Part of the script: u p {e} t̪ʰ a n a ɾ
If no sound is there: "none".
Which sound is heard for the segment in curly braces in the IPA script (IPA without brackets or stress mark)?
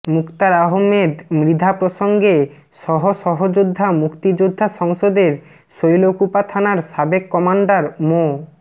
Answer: a